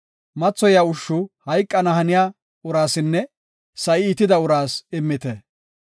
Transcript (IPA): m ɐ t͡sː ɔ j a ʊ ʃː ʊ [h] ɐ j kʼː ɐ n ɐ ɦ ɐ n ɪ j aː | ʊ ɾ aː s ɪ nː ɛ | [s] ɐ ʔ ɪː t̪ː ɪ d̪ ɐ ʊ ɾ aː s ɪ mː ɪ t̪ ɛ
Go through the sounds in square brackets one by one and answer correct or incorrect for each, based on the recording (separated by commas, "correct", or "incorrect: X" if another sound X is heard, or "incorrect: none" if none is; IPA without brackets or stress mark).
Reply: correct, correct